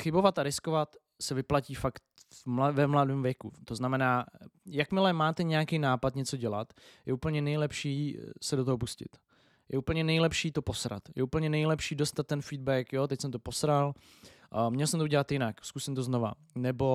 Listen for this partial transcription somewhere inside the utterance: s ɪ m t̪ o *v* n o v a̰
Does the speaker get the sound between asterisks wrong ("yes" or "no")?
yes